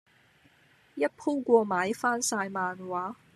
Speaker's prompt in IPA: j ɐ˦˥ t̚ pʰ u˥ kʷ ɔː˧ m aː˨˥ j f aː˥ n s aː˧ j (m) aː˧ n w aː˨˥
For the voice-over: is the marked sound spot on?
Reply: yes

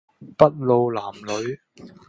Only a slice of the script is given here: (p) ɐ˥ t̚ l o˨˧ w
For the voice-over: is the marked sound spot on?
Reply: yes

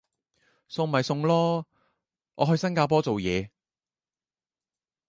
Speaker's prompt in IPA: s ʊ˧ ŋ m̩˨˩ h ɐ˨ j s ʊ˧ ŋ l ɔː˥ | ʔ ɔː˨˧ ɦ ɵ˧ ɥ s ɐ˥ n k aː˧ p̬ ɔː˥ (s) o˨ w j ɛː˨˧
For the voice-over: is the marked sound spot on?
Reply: no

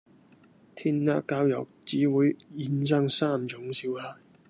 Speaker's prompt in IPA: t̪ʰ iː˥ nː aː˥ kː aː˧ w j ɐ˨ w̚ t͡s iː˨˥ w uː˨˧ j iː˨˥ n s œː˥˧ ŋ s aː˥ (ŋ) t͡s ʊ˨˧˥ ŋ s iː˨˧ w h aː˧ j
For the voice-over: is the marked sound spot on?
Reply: no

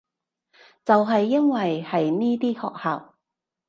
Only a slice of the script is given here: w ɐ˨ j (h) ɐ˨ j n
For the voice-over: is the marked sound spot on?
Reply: yes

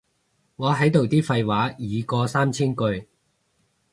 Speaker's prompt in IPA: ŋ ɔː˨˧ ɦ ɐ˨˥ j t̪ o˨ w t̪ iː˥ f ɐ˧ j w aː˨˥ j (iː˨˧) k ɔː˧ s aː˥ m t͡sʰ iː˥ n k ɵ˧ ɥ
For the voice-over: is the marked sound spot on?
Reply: yes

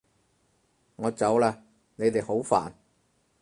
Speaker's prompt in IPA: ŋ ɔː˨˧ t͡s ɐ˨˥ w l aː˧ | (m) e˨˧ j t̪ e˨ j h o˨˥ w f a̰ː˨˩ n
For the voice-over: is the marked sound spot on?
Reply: no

